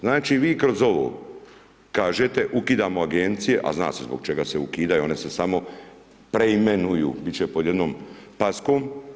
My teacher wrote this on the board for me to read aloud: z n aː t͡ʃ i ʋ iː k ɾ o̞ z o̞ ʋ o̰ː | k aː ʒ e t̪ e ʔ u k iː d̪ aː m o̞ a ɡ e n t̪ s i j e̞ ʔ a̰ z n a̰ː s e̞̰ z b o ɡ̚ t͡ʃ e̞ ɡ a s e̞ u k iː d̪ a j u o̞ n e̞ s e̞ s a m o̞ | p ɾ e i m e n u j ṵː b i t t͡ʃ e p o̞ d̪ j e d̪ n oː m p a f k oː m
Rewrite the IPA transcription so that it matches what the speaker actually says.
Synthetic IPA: z n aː t͡ʃ i ʋ iː k ɾ o̞ z o̞ ʋ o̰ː | k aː ʒ e t̪ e ʔ u k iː d̪ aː m o̞ a ɡ e n t̪ s i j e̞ ʔ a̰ z n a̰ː s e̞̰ z b o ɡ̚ t͡ʃ e̞ ɡ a s e̞ u k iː d̪ a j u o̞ n e̞ s e̞ s a m o̞ | p ɾ e i m e n u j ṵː b i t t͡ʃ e p o̞ d̪ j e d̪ n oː m p a s k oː m